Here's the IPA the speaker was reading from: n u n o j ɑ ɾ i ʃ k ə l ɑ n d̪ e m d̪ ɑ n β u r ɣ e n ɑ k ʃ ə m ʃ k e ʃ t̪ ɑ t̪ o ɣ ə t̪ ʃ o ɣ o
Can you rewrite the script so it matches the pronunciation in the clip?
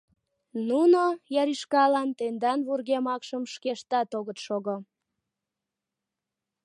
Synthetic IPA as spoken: n u n o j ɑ ɾ i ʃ k ɑ l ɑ n t̪ e n d̪ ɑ n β u r ɣ e m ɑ k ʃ ə m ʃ k e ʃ t̪ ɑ t̪ o ɣ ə t̪ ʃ o ɣ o